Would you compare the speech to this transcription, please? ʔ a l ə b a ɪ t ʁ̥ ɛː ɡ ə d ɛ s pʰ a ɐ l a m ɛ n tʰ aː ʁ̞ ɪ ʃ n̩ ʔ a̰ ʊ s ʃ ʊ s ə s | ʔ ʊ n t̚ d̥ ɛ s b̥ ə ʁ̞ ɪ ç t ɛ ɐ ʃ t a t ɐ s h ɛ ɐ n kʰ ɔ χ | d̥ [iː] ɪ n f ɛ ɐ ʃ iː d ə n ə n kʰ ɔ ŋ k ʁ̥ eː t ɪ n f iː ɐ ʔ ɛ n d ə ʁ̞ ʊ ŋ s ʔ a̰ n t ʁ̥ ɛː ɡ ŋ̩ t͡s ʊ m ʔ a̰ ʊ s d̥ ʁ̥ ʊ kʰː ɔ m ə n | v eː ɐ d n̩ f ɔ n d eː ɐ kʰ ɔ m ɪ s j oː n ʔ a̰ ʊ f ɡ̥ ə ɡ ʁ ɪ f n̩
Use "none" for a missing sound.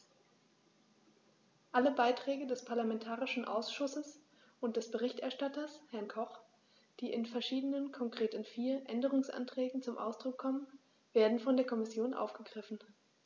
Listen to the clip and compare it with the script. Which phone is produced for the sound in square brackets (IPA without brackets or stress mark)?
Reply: iː